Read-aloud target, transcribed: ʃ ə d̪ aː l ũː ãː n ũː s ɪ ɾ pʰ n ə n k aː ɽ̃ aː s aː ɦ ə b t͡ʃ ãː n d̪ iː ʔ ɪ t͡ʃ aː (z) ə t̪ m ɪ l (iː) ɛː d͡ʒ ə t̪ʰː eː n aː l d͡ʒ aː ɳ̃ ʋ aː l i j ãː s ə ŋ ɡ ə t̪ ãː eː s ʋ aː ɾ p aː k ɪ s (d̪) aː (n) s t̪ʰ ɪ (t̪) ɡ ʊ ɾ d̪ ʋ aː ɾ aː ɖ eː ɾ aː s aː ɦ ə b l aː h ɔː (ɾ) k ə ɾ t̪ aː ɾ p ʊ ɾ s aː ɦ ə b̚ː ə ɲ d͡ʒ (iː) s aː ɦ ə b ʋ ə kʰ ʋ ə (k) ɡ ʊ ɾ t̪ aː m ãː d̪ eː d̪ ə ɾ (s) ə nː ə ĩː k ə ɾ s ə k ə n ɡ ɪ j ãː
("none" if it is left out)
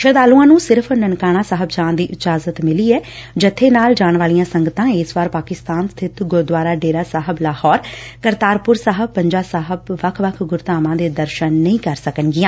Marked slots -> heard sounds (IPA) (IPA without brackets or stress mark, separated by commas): z, iː, t̪, n, t̪, ɾ, aː, kʰ, ʃ